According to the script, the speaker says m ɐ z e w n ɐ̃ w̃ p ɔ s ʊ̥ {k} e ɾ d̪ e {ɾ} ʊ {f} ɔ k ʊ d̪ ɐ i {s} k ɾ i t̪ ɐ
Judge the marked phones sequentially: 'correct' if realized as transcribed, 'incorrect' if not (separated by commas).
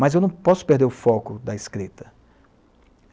incorrect, correct, correct, correct